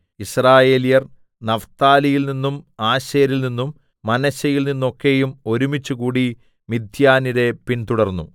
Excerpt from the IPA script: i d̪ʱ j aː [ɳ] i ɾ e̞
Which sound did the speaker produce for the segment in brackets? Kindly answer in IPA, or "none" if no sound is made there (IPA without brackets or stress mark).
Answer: n